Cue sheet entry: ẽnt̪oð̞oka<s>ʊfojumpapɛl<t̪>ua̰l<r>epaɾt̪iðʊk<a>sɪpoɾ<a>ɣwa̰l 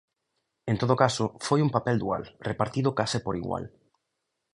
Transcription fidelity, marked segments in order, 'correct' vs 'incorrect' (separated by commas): correct, incorrect, correct, correct, incorrect